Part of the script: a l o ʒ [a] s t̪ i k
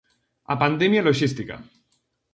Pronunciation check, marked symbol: incorrect: i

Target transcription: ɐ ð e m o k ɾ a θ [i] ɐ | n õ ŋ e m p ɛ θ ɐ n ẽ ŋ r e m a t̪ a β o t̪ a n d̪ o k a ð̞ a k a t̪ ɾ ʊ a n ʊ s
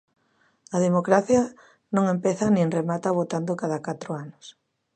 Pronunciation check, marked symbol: incorrect: j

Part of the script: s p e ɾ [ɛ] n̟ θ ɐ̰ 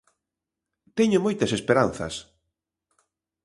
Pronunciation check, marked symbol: incorrect: a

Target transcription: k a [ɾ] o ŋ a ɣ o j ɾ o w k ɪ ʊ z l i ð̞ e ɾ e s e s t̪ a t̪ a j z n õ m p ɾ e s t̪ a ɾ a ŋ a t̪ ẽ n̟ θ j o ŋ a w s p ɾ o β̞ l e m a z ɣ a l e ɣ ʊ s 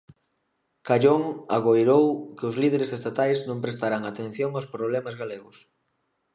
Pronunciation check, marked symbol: incorrect: ʎ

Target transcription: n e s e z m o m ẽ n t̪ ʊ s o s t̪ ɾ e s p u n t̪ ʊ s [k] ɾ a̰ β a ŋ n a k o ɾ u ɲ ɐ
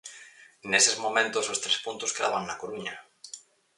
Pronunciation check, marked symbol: correct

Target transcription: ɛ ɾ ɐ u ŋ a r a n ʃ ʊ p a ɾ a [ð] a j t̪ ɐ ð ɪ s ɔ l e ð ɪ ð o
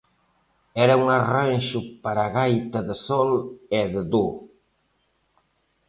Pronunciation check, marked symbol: incorrect: ɣ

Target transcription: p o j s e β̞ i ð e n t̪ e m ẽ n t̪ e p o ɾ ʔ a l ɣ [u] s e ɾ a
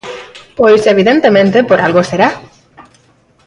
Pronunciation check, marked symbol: incorrect: o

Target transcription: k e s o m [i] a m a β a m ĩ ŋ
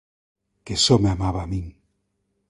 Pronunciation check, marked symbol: incorrect: e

